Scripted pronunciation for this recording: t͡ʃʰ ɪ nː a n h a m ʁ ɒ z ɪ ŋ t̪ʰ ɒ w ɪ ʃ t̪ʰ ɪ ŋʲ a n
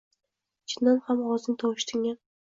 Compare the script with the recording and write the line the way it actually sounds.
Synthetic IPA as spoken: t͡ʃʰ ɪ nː a n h a m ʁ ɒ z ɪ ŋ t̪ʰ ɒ w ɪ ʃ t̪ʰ ɪ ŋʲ a n